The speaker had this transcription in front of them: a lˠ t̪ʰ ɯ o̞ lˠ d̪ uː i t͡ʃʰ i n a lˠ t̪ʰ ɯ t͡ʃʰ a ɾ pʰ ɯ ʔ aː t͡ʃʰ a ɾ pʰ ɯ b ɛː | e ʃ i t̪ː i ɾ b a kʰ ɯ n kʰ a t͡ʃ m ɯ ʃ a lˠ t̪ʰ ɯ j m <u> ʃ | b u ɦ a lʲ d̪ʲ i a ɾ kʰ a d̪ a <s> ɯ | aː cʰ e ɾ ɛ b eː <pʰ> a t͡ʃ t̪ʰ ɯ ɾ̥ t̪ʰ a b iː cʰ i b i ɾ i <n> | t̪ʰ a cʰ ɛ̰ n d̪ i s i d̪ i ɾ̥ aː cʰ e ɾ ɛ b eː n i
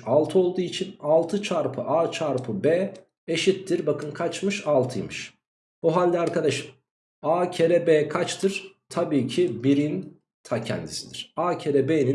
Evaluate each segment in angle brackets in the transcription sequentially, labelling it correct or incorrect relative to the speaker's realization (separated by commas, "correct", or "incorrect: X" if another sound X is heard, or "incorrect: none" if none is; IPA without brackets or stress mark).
incorrect: ɯ, incorrect: ʃ, incorrect: kʰ, correct